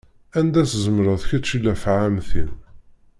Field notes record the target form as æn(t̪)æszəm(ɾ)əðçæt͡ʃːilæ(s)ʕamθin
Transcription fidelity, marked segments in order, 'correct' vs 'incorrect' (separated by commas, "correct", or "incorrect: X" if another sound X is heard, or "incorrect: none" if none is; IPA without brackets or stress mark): incorrect: d̪, correct, incorrect: f